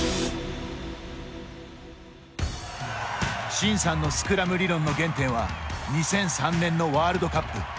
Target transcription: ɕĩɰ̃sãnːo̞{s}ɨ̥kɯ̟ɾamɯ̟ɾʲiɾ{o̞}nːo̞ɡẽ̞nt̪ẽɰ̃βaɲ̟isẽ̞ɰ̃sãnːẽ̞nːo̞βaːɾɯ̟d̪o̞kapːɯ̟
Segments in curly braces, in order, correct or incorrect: correct, incorrect: õ̞

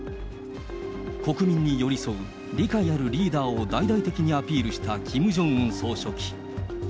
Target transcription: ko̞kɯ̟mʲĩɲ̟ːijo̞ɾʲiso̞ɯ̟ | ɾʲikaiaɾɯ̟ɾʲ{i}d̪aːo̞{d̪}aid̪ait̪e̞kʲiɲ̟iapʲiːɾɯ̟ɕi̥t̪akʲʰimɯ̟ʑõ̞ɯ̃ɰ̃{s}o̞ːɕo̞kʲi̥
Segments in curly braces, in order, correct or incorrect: incorrect: iː, correct, correct

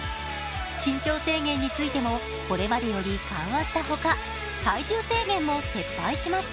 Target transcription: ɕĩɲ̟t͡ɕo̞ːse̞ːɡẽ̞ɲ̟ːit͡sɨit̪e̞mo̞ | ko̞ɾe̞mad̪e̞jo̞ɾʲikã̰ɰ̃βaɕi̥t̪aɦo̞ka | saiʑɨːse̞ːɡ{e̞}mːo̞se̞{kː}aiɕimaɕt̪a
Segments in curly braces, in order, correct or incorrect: incorrect: ẽ̞, incorrect: pː

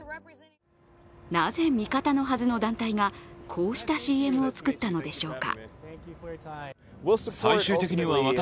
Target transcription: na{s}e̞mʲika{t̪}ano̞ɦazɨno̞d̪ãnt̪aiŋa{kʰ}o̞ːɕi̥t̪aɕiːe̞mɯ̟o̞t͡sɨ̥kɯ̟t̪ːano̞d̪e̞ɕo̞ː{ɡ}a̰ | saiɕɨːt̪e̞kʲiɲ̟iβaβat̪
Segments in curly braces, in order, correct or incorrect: incorrect: z, correct, correct, incorrect: k

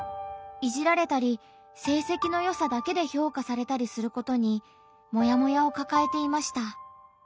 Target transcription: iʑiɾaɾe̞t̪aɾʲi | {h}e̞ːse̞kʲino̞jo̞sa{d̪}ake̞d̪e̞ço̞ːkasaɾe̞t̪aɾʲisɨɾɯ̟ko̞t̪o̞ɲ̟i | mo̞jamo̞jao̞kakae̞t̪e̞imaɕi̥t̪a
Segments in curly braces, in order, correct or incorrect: incorrect: s, correct

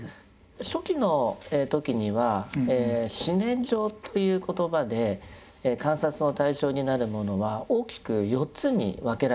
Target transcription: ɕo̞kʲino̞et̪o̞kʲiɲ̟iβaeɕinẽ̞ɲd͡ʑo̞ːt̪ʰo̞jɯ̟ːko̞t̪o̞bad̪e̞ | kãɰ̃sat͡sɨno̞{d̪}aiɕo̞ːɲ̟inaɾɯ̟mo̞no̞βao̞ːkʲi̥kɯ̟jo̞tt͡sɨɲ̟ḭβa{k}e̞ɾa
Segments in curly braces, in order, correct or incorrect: incorrect: t̪, correct

